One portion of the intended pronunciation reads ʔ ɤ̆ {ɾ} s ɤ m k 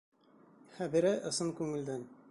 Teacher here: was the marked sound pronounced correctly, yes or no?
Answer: no